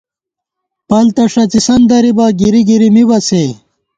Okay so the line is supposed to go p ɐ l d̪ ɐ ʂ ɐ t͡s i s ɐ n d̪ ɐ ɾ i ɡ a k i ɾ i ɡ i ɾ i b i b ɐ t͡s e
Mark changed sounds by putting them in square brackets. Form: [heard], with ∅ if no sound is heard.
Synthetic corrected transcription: p ɐ l [t̪] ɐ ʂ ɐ t͡s i s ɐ n d̪ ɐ ɾ i [b] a [ɡ] i ɾ i ɡ i ɾ i [m] i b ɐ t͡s e